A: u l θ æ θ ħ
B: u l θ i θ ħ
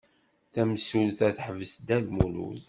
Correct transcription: A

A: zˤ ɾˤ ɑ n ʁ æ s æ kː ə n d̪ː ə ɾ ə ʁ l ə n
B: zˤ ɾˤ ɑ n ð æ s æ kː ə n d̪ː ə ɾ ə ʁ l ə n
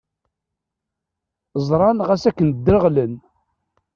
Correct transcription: A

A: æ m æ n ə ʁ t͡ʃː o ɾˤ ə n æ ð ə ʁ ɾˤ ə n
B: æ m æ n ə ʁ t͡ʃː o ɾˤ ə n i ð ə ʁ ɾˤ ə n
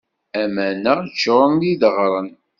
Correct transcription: B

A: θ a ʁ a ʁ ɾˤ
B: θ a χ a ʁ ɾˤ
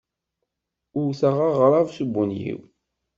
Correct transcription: A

